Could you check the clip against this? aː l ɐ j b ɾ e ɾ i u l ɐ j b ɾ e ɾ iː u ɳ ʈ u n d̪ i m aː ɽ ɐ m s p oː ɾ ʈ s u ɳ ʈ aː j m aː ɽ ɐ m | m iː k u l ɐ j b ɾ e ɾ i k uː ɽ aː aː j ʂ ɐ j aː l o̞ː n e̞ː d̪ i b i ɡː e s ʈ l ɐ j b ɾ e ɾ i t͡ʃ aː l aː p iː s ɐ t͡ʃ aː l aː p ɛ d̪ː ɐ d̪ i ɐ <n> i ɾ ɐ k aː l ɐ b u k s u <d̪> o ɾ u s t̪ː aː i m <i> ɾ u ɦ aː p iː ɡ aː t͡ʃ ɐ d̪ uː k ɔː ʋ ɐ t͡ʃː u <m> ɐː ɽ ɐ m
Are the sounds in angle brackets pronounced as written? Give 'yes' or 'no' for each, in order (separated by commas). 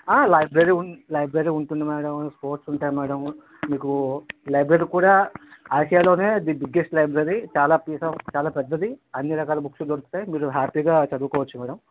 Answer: no, yes, no, yes